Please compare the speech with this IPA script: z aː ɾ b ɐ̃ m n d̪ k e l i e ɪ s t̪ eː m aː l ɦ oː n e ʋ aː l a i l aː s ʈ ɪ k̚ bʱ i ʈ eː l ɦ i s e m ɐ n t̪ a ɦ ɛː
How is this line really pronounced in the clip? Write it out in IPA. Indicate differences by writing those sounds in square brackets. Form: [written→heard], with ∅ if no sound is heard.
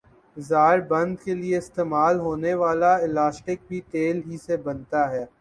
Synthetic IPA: z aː ɾ b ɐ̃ [m→∅] n d̪ k e l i e ɪ s t̪ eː m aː l ɦ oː n e ʋ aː l a [i→ɪ] l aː s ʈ ɪ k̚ bʱ i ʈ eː l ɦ i s e [m→b] ɐ n t̪ a ɦ ɛː